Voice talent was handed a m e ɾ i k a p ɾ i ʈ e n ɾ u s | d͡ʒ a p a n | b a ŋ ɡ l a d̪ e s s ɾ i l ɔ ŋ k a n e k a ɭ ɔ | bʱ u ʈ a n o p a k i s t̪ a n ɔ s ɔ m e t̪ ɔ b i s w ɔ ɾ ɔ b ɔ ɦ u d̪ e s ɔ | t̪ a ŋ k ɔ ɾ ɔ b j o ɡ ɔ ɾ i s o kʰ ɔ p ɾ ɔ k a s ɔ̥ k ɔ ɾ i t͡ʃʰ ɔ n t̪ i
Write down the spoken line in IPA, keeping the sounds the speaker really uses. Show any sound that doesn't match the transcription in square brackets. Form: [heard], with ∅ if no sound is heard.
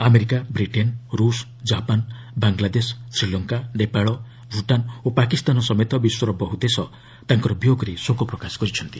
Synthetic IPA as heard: a m e ɾ i k a [b] ɾ i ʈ e n ɾ u s | d͡ʒ a p a n | b a ŋ ɡ l a d̪ e s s ɾ i l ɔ ŋ k a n e [p] a ɭ ɔ | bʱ u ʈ a n o p a k i s t̪ a n ɔ s ɔ m e t̪ ɔ b i s w ɔ ɾ ɔ b ɔ ɦ u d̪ e s ɔ | t̪ a ŋ k ɔ ɾ ɔ b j o ɡ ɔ ɾ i s o [k] ɔ p ɾ ɔ k a s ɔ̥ k ɔ ɾ i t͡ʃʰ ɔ n t̪ i